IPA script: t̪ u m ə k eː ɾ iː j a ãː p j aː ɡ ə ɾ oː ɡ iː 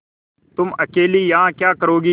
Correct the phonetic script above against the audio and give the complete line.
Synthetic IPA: t̪ ʊ m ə k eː l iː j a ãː k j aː k ə ɾ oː ɡ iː